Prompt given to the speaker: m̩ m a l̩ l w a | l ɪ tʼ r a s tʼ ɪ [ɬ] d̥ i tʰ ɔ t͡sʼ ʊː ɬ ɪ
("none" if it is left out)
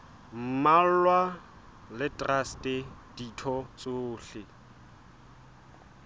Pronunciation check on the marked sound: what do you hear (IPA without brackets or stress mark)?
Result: none